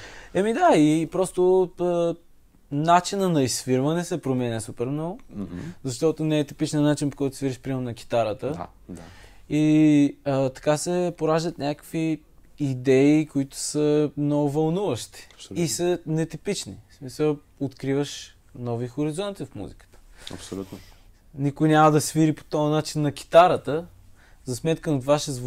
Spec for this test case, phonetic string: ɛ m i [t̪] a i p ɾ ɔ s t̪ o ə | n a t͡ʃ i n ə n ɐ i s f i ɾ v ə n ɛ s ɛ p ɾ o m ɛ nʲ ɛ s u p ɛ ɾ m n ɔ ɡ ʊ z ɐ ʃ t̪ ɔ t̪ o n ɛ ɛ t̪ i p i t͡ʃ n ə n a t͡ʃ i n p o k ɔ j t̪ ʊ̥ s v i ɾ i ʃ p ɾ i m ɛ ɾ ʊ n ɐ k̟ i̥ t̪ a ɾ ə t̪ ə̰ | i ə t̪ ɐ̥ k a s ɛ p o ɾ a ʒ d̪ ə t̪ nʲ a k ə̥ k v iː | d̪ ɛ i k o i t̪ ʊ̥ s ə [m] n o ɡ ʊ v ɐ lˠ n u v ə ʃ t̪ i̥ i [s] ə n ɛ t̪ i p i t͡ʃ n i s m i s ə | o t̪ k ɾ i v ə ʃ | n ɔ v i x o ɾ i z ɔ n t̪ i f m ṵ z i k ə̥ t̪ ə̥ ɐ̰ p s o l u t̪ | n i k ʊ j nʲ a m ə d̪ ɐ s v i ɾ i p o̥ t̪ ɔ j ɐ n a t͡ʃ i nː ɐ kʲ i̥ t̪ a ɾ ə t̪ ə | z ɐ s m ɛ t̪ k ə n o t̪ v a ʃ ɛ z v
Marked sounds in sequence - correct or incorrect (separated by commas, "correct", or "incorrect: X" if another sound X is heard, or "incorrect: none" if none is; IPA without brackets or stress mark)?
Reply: incorrect: d̪, correct, correct